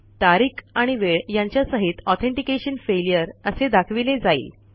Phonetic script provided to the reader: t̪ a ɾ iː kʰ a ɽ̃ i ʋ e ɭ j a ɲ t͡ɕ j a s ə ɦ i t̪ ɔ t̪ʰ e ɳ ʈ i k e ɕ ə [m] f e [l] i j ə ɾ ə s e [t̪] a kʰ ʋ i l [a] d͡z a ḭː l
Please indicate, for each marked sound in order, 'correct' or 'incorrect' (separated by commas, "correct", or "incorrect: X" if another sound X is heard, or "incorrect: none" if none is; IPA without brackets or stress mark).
incorrect: n, correct, incorrect: d̪, incorrect: e